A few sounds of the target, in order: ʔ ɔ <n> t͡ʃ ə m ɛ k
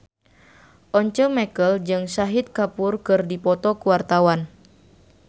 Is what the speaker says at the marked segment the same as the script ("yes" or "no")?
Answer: no